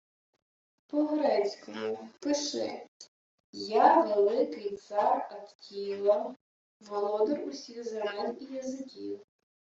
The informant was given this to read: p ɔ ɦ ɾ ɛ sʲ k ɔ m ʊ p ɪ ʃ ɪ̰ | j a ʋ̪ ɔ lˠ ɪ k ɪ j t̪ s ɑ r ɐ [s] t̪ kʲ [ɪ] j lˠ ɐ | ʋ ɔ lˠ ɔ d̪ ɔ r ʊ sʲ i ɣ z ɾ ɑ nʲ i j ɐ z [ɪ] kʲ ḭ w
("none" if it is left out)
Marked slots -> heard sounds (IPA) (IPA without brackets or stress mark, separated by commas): none, i, ɪ